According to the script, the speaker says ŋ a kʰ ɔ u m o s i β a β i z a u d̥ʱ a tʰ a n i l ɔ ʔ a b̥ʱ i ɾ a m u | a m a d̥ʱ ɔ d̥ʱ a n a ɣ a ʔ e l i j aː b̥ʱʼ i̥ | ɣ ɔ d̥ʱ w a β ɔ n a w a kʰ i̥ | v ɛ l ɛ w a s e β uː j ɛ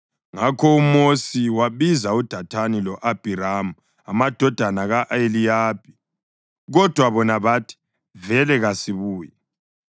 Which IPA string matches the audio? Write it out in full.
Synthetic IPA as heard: ŋ a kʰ ɔ u m o s i w a β i z a u d̥ʱ a tʰ a n i l ɔ ʔ a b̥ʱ i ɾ a m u | a m a d̥ʱ ɔ d̥ʱ a n a ɣ a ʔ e l i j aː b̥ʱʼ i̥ | ɣ ɔ d̥ʱ w a β ɔ n a β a tʰ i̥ | v ɛ l ɛ ɣ a s i β uː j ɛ